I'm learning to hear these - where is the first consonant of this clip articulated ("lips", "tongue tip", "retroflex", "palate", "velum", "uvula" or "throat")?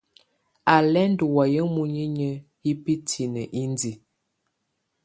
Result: tongue tip